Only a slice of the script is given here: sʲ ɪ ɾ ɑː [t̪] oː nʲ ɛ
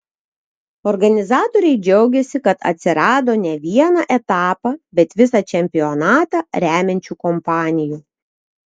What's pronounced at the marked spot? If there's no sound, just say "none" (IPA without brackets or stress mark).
d̪